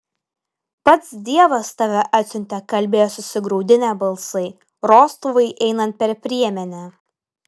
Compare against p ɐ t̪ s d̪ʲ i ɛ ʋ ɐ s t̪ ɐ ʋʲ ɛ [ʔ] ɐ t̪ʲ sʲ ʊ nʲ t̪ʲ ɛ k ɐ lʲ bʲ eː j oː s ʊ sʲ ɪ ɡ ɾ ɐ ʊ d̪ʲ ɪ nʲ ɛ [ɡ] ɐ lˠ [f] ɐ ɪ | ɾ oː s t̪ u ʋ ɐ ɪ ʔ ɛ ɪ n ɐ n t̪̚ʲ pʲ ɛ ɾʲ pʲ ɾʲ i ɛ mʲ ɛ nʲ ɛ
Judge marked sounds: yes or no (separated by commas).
yes, no, no